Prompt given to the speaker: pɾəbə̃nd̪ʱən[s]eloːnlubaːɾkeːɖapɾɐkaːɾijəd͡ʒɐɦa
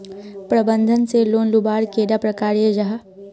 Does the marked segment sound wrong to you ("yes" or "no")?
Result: no